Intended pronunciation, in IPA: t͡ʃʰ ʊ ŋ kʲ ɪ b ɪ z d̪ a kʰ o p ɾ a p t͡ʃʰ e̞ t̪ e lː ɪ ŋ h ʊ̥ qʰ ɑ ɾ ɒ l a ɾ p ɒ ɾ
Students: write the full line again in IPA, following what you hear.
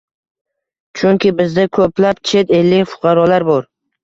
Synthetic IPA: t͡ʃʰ ʊ ŋ kʲ ɪ b ɪ z d̪ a kʰ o p l a p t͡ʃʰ e̞ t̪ e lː ɪ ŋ f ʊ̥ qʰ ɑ ɾ ɒ l a ɾ b ɒ ɾ